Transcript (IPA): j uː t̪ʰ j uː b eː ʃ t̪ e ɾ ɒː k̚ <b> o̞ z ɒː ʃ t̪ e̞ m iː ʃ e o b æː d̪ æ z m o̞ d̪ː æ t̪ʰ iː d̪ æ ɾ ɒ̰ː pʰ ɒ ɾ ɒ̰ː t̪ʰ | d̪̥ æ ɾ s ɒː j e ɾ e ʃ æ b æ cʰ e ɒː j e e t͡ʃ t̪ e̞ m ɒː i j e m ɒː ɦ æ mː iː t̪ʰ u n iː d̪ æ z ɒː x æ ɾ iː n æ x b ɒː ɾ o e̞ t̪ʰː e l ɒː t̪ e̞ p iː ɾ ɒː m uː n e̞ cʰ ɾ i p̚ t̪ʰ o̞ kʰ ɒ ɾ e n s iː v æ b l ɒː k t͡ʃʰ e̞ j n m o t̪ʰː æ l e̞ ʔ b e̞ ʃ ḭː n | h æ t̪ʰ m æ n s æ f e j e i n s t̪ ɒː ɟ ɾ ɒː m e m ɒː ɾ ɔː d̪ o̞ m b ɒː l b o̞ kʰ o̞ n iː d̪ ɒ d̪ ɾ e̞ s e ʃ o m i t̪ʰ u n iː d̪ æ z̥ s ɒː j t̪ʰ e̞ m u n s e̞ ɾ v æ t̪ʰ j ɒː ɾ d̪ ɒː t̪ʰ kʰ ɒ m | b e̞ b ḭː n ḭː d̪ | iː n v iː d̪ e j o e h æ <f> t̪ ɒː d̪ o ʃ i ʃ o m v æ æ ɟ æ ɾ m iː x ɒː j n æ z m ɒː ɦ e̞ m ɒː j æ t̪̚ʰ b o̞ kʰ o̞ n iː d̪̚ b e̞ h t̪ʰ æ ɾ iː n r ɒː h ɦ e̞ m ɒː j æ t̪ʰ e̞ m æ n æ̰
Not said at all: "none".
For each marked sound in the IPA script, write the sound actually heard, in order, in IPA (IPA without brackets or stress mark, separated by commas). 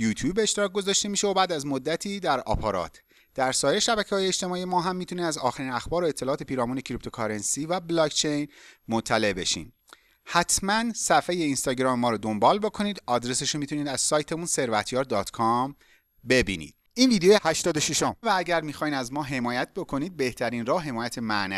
ɡ, ʃ